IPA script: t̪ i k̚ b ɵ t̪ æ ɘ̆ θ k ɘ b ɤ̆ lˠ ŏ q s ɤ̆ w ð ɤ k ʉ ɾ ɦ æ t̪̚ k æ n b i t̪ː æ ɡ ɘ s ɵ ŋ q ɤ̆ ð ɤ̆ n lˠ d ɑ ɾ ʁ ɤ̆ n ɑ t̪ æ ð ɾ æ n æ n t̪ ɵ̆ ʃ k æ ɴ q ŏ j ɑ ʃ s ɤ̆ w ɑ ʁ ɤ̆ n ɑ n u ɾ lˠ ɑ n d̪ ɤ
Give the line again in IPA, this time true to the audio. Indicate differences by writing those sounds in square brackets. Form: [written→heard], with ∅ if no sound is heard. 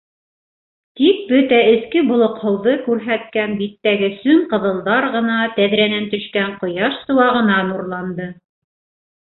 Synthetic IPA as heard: t̪ i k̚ b ɵ t̪ æ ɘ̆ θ k ɘ b [ɤ̆→ŏ] lˠ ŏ q [s→h] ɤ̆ w ð ɤ k ʉ ɾ ɦ æ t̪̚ k æ n b i t̪ː æ ɡ ɘ s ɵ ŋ q ɤ̆ ð ɤ̆ [n→∅] lˠ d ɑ ɾ ʁ ɤ̆ n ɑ t̪ æ ð ɾ æ n æ n t̪ ɵ̆ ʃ k æ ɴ q ŏ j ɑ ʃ s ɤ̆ w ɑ ʁ ɤ̆ n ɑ n u ɾ lˠ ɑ n d̪ ɤ